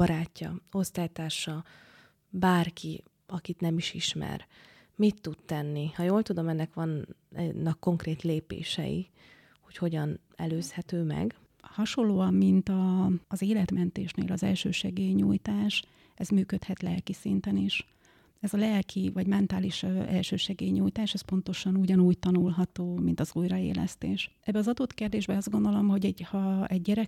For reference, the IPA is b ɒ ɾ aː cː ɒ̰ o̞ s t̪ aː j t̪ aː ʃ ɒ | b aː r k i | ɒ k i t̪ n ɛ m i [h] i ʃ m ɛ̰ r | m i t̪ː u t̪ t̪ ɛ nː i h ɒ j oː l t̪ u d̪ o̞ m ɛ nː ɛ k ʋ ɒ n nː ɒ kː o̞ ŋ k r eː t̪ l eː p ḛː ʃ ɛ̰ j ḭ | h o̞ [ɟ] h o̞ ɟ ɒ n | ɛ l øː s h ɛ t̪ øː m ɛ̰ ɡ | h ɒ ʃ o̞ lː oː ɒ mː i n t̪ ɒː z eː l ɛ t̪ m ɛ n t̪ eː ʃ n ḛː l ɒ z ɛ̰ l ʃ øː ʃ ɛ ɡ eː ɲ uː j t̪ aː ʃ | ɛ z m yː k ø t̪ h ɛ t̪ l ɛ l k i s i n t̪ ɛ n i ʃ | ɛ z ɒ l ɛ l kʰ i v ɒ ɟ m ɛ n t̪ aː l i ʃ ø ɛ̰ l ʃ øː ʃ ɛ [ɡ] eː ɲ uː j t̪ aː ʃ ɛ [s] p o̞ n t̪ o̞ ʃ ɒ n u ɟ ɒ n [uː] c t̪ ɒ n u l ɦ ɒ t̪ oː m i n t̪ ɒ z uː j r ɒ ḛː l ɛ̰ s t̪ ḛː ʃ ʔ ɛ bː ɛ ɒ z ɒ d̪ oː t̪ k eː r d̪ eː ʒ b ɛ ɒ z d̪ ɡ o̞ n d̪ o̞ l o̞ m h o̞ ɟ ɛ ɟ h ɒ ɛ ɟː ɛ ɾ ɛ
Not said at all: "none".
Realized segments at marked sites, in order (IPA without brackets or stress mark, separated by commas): ʃ, c, ɡ, s, uː